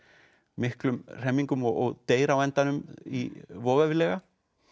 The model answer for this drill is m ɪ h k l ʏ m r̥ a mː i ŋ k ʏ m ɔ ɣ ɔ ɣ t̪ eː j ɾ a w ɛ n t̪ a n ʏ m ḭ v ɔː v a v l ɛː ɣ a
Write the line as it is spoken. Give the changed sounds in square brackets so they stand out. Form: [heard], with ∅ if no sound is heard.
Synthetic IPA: m ɪ h k l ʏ m r̥ [ɛ] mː i ŋ k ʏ m ɔ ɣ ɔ ɣ t̪ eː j ɾ a w ɛ n t̪ a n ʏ m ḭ v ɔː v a v l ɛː ɣ a

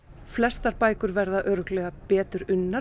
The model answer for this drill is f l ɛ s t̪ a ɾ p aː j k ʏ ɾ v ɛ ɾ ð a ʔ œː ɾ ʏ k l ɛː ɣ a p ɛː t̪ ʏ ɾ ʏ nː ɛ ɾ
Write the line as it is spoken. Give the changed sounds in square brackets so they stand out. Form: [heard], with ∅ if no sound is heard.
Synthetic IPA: f l ɛ s t̪ a ɾ p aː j k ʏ ɾ v ɛ ɾ ð a ʔ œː ɾ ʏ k l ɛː ɣ a p ɛː t̪ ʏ ɾ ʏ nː [a] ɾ

